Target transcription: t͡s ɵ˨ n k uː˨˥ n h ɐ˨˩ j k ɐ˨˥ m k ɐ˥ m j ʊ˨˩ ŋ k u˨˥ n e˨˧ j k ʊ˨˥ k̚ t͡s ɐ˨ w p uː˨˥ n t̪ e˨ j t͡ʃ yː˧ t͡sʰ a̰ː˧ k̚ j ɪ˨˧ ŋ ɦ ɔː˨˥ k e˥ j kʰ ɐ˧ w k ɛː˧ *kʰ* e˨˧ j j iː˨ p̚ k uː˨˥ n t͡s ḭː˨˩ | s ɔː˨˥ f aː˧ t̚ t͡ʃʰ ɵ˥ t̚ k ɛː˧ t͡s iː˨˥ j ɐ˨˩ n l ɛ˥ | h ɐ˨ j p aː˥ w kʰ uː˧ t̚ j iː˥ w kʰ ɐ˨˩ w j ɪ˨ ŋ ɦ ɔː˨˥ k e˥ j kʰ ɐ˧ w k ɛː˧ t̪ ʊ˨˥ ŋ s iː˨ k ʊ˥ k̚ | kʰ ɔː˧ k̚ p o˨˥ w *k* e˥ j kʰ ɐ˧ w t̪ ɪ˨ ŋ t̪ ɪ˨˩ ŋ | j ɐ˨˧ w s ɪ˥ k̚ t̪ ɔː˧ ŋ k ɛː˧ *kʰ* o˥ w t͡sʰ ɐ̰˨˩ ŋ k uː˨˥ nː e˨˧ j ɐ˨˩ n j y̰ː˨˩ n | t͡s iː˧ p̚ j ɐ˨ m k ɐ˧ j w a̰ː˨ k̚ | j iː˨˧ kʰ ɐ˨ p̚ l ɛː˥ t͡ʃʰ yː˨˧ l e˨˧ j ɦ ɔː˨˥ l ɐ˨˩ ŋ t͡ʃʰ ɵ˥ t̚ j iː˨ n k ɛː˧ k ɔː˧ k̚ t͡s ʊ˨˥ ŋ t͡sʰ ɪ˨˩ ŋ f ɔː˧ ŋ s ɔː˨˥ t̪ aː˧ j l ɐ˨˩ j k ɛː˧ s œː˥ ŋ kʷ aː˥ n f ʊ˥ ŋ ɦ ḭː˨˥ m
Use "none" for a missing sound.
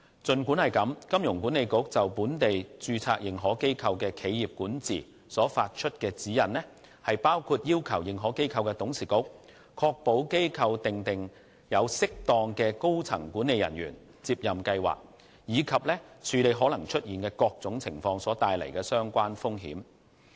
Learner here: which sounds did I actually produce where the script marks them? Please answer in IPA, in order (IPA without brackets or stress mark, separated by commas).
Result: kʰ, k, k